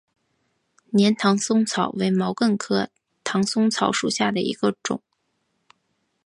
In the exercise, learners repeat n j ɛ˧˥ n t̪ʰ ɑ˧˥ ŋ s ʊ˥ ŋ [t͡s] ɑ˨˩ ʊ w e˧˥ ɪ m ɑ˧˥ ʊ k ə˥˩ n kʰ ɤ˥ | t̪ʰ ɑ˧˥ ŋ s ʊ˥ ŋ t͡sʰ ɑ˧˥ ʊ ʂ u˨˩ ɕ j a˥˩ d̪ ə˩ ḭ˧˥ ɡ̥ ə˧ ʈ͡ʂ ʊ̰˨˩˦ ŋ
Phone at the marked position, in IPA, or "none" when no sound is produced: t͡sʰ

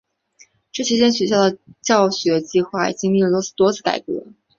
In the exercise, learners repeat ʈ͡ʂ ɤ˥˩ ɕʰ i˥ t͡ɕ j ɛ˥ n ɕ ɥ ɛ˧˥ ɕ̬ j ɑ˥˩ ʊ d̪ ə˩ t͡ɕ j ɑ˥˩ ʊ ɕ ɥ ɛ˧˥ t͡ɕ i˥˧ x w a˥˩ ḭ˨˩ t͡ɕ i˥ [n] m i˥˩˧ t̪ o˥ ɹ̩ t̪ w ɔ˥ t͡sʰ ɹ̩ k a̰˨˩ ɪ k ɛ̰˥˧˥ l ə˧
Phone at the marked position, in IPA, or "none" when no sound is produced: ŋ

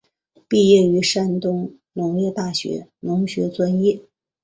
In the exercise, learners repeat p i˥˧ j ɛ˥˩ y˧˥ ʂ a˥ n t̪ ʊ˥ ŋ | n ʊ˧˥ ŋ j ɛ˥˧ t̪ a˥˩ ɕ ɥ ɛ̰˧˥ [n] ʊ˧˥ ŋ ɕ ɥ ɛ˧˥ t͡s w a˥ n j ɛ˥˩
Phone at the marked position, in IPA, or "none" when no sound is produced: n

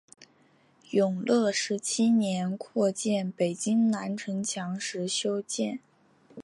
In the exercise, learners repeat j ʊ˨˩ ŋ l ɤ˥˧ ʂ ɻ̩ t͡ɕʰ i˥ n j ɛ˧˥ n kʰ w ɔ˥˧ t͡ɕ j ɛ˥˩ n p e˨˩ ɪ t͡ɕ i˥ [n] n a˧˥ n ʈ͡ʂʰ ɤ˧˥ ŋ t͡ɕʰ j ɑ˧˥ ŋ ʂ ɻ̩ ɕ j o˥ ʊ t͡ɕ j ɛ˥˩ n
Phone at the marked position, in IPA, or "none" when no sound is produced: ŋ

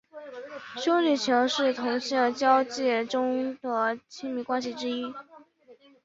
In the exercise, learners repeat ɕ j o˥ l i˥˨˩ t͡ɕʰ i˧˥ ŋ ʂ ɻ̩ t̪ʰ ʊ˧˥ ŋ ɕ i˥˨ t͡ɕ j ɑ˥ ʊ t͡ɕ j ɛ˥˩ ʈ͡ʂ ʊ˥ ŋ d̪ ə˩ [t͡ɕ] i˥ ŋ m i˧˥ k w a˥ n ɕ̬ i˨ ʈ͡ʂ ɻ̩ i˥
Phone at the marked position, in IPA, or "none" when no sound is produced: t͡ɕʰ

